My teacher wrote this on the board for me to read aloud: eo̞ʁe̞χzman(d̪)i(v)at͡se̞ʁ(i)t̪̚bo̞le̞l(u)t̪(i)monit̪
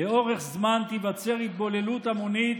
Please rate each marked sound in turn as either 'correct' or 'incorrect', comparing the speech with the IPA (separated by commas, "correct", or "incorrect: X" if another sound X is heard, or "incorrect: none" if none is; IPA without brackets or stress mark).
incorrect: t̪, correct, correct, correct, incorrect: a